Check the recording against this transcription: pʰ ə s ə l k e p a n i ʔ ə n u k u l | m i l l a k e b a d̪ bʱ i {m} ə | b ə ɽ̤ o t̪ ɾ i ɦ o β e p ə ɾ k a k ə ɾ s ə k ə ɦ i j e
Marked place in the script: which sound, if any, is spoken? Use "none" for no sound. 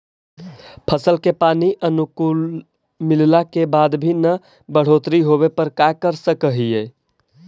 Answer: n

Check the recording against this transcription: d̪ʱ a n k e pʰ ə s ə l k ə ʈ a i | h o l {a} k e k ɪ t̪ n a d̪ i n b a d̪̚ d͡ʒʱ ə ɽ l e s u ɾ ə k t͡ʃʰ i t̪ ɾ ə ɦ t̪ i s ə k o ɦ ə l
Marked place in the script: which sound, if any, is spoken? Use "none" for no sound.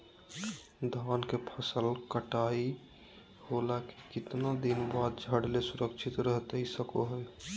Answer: a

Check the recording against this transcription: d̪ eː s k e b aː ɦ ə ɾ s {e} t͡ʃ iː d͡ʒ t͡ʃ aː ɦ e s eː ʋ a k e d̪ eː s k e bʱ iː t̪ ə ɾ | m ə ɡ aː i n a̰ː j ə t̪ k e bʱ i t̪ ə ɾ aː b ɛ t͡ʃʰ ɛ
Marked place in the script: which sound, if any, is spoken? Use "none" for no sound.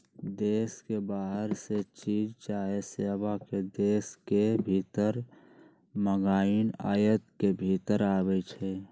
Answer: e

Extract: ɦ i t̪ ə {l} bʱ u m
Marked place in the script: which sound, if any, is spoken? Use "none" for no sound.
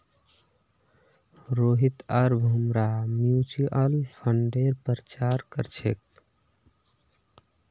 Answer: ɾ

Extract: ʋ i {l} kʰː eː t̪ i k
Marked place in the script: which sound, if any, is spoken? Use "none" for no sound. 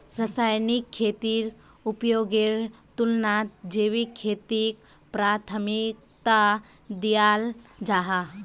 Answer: none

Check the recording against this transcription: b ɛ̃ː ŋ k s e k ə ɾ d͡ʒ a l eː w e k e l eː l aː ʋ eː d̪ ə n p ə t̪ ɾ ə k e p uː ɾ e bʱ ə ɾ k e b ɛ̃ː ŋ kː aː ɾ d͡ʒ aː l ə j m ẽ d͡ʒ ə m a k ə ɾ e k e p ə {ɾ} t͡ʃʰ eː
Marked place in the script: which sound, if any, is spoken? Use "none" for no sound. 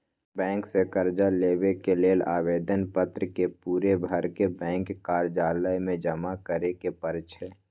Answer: ɾ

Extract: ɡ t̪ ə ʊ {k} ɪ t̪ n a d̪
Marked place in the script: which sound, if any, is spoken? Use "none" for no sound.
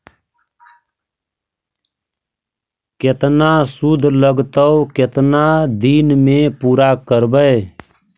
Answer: k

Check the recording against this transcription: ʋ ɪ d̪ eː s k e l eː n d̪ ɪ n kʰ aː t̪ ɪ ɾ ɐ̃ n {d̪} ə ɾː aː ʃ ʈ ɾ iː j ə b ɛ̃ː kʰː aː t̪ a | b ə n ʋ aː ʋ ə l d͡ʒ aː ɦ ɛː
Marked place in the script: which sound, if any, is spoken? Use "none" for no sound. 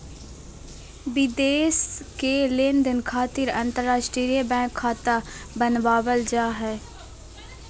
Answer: t̪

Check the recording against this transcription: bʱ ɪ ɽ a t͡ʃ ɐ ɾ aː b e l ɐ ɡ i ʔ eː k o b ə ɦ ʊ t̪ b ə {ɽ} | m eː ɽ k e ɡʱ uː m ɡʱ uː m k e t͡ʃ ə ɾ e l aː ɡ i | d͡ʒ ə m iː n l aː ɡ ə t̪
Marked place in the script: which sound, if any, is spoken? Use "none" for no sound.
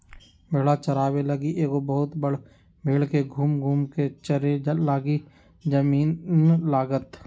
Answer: ɽ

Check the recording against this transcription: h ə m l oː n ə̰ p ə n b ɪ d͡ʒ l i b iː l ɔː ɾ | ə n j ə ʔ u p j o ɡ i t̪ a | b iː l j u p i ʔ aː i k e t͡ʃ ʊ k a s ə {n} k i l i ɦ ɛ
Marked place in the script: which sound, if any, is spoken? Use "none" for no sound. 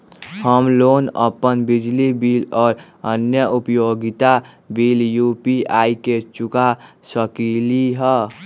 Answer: none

